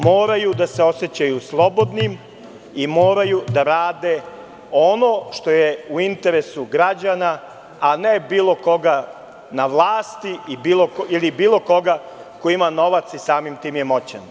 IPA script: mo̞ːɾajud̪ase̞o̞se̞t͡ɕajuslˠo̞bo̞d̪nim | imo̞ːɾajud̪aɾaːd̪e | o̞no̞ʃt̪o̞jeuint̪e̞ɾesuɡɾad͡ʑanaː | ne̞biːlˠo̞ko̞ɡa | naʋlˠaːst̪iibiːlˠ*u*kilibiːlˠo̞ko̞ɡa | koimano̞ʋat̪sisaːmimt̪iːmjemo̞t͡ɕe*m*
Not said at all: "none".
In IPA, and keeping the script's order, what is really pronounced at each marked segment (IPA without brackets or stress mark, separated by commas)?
o, n